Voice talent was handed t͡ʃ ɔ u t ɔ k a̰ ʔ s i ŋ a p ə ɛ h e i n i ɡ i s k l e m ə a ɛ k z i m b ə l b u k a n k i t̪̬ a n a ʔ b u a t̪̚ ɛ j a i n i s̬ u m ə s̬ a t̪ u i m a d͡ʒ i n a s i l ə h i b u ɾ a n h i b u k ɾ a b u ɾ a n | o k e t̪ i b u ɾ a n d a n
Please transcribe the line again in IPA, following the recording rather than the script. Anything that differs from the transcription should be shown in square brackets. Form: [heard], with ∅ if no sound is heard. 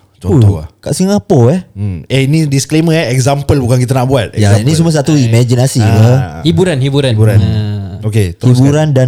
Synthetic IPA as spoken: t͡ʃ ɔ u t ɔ k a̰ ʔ s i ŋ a p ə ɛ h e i n i [d] i s k l e m ə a ɛ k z [a] m [p] ə l b u k a n k i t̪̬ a n a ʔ b u a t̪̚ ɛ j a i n i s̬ u m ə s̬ a t̪ u i m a d͡ʒ i n a s i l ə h i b u ɾ a n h i b u [∅] ɾ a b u ɾ a n | o k e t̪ i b u ɾ a n d a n